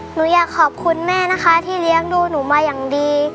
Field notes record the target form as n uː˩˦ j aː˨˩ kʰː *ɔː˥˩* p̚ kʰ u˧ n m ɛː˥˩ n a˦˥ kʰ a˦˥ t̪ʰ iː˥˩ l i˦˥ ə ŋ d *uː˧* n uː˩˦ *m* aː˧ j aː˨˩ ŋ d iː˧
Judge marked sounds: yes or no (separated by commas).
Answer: no, yes, yes